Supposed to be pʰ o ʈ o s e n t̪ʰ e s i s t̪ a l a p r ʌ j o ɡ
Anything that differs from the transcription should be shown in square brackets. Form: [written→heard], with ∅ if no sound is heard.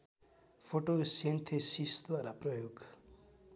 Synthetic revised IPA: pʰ o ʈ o s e n t̪ʰ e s i s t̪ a [l→ɾ] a p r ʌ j o ɡ